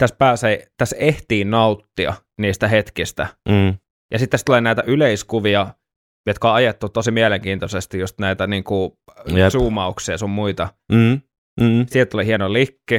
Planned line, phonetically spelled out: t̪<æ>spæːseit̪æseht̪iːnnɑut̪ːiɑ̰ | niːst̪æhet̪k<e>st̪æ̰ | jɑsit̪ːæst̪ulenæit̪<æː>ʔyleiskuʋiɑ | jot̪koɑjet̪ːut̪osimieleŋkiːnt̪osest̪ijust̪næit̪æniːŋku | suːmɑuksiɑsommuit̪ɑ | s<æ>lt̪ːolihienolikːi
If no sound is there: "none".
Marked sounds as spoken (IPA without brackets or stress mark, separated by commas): æ, i, æ, i